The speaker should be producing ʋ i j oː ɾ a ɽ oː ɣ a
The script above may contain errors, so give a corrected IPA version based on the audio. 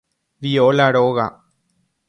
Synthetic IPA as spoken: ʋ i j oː l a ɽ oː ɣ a

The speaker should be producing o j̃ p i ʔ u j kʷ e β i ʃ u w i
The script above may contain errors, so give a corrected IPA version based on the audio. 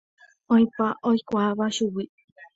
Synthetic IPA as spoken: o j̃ p a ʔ o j kʷ a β a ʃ u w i

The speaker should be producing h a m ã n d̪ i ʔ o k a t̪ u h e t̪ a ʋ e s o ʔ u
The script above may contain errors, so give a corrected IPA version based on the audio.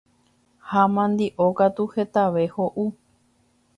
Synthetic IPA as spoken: h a m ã n d̪ i ʔ o k a t̪ u h e t̪ a ʋ e h o ʔ u

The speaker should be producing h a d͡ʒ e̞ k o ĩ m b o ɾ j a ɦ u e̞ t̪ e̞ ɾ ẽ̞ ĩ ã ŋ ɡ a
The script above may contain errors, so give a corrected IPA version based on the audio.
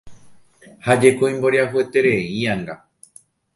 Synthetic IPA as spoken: h a d͡ʒ e̞ k o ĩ m b o ɾ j a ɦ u e̞ t̪ e̞ ɾ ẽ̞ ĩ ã ŋ ɡ a

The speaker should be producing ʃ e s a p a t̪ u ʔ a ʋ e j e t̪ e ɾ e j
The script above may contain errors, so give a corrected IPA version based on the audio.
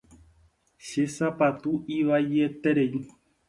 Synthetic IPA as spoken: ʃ e s a p a t̪ u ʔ i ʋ a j e t̪ e ɾ e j

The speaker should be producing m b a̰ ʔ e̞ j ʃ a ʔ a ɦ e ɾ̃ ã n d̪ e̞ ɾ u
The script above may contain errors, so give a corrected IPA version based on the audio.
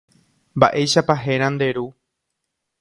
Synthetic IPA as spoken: m b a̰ ʔ e̞ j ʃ a p a ɦ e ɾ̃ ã n d̪ e̞ ɾ u

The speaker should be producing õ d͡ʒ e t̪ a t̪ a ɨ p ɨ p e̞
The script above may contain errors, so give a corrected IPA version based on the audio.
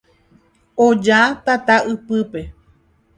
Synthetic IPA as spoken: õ d͡ʒ a t̪ a t̪ a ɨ p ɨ p e̞

